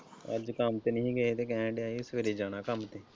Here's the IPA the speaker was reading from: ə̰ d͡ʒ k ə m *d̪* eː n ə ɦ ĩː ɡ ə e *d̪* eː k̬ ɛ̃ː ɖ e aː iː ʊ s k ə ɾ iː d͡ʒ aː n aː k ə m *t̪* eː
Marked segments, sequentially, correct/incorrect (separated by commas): incorrect, incorrect, correct